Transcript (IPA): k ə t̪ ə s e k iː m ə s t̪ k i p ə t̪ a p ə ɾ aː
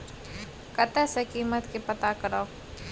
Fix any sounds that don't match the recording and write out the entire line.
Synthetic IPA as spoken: k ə t̪ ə s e k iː m ə t̪ k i p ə t̪ a k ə ɾ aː

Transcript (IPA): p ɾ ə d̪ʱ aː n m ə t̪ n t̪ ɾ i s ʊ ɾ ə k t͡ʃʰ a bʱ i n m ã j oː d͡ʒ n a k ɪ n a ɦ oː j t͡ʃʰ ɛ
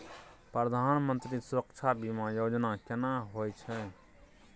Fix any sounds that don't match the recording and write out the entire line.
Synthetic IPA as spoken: p ɾ ə d̪ʱ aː n m ə n t̪ ɾ i s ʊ ɾ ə k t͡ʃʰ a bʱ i m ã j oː d͡ʒ n a k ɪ n a ɦ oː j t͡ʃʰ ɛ

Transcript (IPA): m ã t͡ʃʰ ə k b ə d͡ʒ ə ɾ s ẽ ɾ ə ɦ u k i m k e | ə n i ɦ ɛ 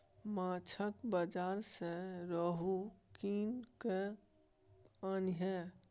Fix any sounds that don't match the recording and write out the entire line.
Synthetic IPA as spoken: m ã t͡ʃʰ ə k b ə d͡ʒ a ɾ s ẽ ɾ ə ɦ u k i n k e | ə n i ɦ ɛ

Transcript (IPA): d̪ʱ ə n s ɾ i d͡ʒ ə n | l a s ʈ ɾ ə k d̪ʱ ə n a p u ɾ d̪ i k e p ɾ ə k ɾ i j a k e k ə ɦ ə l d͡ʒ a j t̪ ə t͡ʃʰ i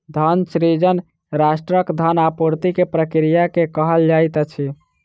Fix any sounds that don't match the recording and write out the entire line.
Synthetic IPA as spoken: d̪ʱ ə n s ɾ i d͡ʒ ə n | ɾ a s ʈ ɾ ə k d̪ʱ ə n a p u ɾ t̪ i k e p ɾ ə k ɾ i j a k e k ə ɦ ə l d͡ʒ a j t̪ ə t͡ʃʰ i

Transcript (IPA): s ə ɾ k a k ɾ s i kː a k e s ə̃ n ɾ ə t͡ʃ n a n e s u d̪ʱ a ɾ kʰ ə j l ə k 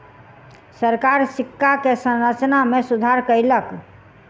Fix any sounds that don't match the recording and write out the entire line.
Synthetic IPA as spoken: s ə ɾ k a ɾ s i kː a k e s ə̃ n ɾ ə t͡ʃ n a m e s u d̪ʱ a ɾ k ə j l ə k

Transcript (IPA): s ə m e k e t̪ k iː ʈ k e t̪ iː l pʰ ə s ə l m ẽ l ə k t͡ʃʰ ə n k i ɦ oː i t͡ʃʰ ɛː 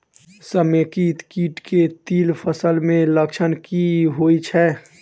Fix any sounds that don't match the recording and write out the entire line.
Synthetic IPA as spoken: s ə m e k i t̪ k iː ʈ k e t̪ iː l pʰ ə s ə l m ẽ l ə k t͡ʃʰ ə n k i ɦ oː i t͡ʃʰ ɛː

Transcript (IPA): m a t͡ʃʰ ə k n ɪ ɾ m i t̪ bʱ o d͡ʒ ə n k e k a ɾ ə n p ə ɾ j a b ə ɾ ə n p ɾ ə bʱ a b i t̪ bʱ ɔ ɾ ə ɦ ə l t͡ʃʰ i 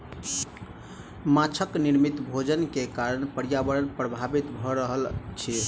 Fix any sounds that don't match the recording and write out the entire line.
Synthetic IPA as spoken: m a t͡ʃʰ ə k n i ɾ m i t̪ bʱ o d͡ʒ ə n k e k a ɾ ə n p ə ɾ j a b ə ɾ ə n p ɾ ə bʱ a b i t̪ bʱ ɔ ɾ ə ɦ ə l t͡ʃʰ i

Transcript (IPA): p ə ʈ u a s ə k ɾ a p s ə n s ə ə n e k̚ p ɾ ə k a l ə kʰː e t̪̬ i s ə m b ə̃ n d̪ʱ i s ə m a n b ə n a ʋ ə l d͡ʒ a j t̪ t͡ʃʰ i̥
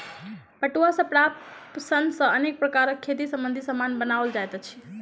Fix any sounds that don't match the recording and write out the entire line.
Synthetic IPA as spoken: p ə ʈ u a s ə p ɾ a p s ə n s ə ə n e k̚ p ɾ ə k a ɾ ə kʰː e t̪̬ i s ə m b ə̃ n d̪ʱ i s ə m a n b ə n a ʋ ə l d͡ʒ a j t̪ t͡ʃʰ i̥

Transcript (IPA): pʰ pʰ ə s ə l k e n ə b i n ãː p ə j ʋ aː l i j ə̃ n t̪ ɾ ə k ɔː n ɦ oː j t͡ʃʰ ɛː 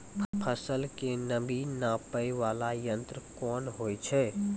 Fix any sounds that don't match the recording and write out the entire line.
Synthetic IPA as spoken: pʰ pʰ ə s ə l k e n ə b i n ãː p ə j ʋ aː l a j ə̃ n t̪ ɾ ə k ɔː n ɦ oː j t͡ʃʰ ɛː

